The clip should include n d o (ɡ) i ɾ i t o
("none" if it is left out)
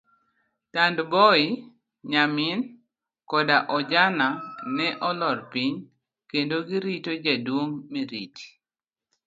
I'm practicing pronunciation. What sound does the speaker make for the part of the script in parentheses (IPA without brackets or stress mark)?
ɡ